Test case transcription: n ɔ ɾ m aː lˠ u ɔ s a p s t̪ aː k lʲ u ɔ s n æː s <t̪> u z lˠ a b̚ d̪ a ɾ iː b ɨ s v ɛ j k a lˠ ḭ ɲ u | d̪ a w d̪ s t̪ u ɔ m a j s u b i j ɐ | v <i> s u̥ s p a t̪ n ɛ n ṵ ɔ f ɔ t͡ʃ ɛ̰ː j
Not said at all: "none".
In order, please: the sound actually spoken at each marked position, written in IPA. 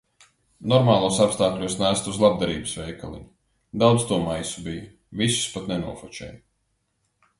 t̪, i

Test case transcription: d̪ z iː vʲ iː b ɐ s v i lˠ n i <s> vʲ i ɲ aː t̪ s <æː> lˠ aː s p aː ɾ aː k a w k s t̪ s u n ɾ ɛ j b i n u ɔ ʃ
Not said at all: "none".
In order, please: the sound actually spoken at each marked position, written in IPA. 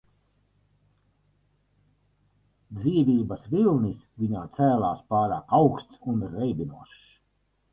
s, æː

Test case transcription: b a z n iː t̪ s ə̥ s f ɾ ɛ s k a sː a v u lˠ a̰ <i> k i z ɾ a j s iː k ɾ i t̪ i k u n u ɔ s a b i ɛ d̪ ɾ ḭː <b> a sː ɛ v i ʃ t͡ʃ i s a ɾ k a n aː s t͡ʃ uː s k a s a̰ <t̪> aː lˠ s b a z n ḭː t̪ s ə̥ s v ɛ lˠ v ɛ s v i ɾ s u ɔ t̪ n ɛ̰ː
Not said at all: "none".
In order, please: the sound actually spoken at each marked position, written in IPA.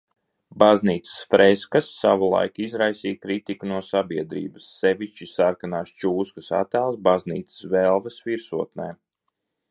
j, b, t̪

